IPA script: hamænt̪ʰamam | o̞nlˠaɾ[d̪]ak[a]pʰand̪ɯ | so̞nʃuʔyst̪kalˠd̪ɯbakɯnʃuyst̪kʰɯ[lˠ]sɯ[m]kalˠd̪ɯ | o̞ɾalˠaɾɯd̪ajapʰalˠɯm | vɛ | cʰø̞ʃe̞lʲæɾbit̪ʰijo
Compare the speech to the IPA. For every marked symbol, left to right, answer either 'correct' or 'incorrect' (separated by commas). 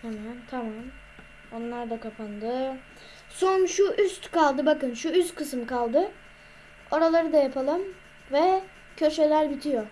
correct, correct, incorrect, correct